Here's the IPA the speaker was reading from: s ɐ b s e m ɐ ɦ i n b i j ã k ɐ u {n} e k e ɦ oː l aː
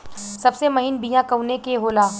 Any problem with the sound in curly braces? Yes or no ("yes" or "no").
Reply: no